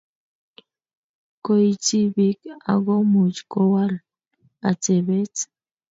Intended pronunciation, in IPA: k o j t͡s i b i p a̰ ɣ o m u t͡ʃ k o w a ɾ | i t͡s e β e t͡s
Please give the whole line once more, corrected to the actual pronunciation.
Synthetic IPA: k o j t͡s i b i k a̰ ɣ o m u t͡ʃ k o w a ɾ | a t͡s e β e t͡s